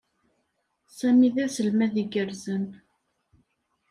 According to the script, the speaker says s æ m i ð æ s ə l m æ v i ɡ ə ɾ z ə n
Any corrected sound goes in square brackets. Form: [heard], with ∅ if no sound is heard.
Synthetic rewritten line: s æ m i ð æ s ə l m æ [ð] i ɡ ə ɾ z ə n